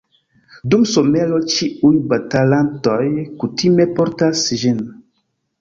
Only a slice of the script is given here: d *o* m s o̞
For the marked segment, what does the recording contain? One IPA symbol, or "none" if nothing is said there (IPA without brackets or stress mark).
u